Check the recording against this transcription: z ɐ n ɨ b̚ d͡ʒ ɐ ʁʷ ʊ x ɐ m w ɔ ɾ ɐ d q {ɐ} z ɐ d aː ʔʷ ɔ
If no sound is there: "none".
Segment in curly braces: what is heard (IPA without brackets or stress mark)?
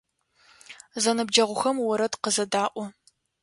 ə